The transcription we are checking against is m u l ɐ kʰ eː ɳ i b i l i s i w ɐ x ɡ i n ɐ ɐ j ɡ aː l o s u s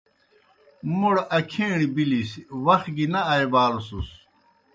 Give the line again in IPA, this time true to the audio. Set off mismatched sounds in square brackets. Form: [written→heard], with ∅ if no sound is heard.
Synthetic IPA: m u [l→ɽ] ɐ kʰ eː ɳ i b i l i s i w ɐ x ɡ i n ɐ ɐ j [ɡ→b] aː l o s u s